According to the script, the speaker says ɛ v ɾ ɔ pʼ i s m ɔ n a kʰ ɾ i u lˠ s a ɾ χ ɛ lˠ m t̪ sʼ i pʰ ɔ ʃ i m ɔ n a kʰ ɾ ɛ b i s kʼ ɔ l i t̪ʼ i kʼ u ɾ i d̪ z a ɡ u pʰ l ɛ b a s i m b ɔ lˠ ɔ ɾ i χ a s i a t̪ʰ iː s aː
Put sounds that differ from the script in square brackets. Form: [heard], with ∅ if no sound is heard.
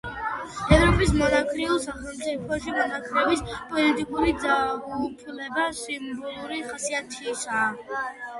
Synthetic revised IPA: ɛ v ɾ ɔ pʼ i s m ɔ n a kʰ ɾ i u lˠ s a [∅] χ ɛ lˠ m t̪ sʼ i pʰ ɔ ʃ i m ɔ n a kʰ ɾ ɛ b i s [pʼ] ɔ l i t̪ʼ i kʼ u ɾ i d̪ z a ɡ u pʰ l ɛ b a s i m b ɔ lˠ [u] ɾ i χ a s i a t̪ʰ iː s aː